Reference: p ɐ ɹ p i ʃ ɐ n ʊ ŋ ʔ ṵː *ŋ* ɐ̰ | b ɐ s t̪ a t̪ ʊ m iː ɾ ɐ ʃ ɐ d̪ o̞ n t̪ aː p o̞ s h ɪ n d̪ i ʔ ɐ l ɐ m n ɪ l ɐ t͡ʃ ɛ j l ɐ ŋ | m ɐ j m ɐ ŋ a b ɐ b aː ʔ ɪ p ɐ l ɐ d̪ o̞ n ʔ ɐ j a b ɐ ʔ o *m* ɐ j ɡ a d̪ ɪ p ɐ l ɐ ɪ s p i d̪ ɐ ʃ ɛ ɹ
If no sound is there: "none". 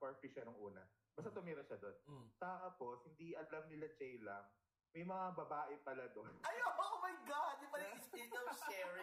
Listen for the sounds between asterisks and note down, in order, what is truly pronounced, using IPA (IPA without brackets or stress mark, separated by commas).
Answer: n, m